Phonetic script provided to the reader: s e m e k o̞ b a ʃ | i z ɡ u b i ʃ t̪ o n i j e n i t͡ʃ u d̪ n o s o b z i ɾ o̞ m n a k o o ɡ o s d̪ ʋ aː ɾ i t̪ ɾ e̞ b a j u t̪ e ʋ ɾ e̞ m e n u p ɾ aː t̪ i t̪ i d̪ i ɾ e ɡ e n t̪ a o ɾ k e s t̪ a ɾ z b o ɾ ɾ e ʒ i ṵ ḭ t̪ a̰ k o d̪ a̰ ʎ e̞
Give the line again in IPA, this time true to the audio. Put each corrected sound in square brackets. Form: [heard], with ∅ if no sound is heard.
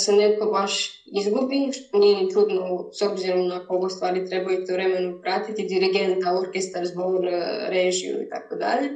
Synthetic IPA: s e [n] e k o̞ b a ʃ | i z ɡ u b i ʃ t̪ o n i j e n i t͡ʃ u d̪ n o s o b z i ɾ o̞ m n a k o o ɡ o s [t̪] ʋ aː ɾ i t̪ ɾ e̞ b a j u t̪ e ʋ ɾ e̞ m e n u p ɾ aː t̪ i t̪ i d̪ i ɾ [i] ɡ e n t̪ a o ɾ k e s t̪ a ɾ z b o ɾ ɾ e ʒ i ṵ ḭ t̪ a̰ k o d̪ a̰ ʎ e̞